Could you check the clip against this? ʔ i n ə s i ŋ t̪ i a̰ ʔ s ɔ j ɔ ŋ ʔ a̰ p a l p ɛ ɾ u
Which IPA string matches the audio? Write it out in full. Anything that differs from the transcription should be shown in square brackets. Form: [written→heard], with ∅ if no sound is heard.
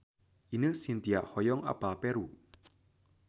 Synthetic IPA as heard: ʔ i n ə s i [ŋ→n] t̪ i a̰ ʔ [s→h] ɔ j ɔ ŋ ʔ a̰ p a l p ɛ ɾ u